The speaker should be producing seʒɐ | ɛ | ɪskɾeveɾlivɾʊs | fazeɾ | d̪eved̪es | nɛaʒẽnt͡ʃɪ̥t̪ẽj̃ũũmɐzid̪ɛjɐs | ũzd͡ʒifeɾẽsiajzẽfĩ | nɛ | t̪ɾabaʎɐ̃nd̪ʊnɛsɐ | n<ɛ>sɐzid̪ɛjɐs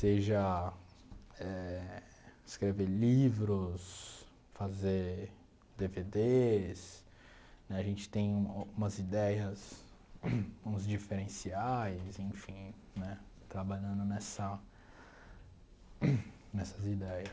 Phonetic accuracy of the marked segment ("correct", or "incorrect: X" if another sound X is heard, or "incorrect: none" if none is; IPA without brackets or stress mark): correct